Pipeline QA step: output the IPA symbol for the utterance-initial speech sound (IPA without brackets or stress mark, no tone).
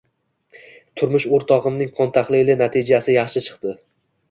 t̪ʰ